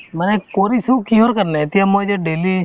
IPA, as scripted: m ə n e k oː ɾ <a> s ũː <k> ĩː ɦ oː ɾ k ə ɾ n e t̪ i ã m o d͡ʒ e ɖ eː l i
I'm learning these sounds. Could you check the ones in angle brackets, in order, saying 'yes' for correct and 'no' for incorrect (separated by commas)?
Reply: no, yes